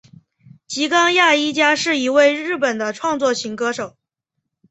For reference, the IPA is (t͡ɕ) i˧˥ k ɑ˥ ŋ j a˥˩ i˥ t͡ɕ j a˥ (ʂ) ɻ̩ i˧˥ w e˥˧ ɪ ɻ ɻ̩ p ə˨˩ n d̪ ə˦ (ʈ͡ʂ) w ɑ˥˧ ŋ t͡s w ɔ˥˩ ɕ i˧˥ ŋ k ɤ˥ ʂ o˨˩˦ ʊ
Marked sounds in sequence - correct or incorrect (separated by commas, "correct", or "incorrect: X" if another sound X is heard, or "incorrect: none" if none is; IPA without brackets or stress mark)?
correct, correct, incorrect: ʈ͡ʂʰ